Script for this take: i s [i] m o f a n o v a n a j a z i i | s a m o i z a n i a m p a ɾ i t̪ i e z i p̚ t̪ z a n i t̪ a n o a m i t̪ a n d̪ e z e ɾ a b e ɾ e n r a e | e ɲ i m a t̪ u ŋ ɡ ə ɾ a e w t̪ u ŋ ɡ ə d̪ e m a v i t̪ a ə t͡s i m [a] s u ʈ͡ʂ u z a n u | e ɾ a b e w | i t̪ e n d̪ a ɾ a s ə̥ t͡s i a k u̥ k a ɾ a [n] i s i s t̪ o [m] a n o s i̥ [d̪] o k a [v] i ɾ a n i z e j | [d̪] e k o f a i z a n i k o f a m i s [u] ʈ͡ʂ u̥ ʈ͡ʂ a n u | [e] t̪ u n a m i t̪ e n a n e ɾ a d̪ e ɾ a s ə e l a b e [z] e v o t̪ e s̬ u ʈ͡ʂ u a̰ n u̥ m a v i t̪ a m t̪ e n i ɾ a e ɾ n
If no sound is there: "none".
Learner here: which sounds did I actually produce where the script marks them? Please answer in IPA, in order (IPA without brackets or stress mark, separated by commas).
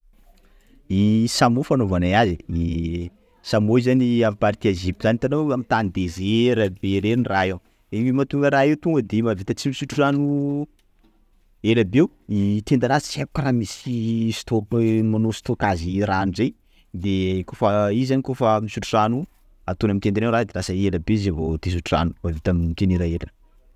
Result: a, i, m, m, t̪, z, d̪, u, a, z